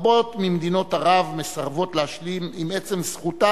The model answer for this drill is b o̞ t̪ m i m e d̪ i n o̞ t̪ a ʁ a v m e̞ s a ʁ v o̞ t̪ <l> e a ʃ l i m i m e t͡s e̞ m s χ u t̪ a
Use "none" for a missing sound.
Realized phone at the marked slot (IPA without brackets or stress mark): l